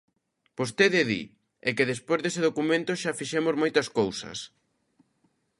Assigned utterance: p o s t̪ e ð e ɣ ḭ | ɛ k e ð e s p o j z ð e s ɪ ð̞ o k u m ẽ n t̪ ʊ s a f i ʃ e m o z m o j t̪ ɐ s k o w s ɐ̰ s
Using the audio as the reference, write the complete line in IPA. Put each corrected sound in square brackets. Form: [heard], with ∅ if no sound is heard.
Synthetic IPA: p o s t̪ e ð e [ð] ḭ | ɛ k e ð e s p o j z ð e s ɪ ð̞ o k u m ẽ n t̪ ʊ [ʃ] a f i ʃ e m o z m o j t̪ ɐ s k o w s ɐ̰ s